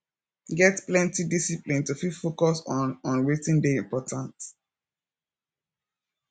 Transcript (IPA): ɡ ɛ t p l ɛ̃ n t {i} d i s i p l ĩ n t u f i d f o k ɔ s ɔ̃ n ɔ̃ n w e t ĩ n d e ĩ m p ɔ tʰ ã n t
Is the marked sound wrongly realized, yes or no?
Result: no